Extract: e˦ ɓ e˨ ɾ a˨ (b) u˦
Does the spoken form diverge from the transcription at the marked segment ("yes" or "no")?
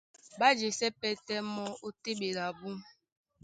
no